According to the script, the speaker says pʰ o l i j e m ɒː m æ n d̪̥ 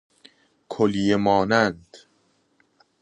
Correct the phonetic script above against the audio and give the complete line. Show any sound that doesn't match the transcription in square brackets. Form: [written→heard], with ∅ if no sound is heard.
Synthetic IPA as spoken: [pʰ→kʰ] o l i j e m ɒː [m→n] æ n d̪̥

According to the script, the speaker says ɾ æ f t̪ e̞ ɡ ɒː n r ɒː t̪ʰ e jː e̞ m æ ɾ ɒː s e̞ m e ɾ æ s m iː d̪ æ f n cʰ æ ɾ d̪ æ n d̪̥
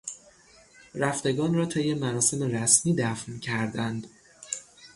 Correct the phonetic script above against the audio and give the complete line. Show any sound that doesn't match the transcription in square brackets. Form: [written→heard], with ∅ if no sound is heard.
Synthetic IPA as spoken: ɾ æ f t̪ e̞ ɡ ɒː n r ɒː t̪ʰ e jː e̞ m æ ɾ ɒː s e̞ m e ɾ æ s m iː d̪ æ f n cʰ æ ɾ d̪ æ n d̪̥

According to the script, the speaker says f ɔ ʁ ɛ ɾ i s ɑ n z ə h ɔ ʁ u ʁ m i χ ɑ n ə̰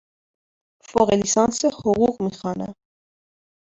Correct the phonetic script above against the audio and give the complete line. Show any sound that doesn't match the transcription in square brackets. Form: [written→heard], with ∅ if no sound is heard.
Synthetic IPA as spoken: f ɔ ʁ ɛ [ɾ→l] i s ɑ n [z→s] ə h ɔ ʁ u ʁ m i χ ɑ n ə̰

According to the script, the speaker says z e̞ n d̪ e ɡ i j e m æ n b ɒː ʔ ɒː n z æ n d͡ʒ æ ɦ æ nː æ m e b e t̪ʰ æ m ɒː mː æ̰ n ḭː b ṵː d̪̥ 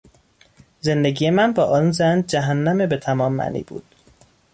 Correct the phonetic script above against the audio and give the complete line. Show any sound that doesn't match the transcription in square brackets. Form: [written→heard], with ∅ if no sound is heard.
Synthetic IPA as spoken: z e̞ n d̪ e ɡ i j e m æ n b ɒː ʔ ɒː n z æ n d͡ʒ æ ɦ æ nː æ m e b e t̪ʰ æ m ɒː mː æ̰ n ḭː b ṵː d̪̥

